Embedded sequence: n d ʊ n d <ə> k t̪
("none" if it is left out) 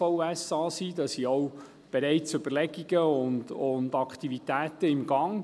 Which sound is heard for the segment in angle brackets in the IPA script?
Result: ɑ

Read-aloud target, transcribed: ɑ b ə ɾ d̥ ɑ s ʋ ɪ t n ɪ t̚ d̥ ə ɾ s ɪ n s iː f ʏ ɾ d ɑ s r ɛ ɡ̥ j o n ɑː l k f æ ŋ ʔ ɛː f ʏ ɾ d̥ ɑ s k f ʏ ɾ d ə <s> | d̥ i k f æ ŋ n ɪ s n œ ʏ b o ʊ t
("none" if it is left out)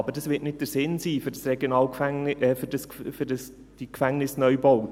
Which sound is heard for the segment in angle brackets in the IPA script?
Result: s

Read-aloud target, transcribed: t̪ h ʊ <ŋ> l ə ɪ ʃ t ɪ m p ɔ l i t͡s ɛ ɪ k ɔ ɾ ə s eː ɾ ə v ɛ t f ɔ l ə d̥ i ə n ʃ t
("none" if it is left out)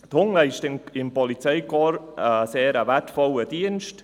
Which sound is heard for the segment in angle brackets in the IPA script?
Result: ŋ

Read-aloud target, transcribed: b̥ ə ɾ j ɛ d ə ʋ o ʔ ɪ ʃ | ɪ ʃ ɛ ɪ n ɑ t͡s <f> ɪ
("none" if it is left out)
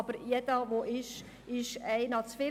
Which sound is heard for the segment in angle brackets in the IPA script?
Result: f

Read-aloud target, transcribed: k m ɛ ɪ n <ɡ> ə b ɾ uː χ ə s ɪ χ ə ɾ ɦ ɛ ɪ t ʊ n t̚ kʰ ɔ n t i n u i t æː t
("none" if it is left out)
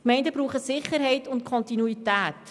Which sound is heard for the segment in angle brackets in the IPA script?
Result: d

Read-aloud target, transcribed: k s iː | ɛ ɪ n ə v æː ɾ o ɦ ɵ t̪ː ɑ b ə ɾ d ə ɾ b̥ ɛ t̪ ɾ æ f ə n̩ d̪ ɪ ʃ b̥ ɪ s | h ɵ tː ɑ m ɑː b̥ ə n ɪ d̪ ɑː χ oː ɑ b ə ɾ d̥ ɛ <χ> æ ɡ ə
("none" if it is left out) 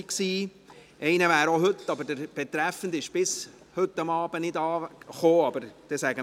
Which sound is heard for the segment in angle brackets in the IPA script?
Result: s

